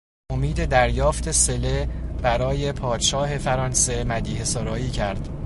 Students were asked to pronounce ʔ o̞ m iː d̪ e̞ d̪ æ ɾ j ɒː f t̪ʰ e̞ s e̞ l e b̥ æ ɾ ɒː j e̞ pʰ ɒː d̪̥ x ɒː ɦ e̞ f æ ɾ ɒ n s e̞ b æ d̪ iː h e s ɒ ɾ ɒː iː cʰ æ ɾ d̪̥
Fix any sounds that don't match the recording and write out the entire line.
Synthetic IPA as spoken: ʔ o̞ m iː d̪ e̞ d̪ æ ɾ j ɒː f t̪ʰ e̞ s e̞ l e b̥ æ ɾ ɒː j e̞ pʰ ɒː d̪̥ ʃ ɒː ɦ e̞ f æ ɾ ɒ n s e̞ m æ d̪ iː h e s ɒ ɾ ɒː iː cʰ æ ɾ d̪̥